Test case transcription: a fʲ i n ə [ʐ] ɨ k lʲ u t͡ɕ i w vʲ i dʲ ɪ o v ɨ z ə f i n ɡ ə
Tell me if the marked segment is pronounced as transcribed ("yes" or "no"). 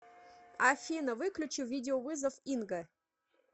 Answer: no